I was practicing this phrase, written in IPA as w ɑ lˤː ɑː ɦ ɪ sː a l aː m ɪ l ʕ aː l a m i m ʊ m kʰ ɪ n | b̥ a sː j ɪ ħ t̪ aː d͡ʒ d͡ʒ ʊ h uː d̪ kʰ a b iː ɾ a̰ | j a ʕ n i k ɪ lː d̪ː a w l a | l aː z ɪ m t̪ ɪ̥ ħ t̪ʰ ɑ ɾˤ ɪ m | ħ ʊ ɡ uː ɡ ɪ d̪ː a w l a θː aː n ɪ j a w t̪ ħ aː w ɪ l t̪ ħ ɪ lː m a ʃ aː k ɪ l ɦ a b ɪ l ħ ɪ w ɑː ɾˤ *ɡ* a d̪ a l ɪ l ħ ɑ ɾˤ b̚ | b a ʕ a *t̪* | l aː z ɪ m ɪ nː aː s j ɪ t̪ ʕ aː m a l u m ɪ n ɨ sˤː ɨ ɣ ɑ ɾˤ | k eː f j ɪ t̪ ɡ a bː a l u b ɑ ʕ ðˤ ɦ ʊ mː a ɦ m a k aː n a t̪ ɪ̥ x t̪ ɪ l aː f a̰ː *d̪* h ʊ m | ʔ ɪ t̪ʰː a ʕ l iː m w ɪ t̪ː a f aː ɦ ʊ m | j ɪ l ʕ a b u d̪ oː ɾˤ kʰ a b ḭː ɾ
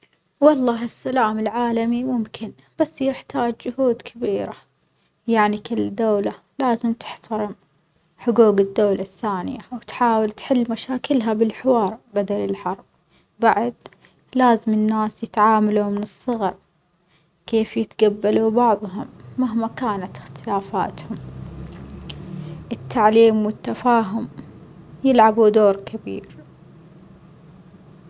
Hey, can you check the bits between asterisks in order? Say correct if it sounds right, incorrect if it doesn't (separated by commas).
incorrect, incorrect, incorrect